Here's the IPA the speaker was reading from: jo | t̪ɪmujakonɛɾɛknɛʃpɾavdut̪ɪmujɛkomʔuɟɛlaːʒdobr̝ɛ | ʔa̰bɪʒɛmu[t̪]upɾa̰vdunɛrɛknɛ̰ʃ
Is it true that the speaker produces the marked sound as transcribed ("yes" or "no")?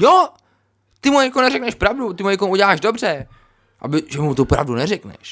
yes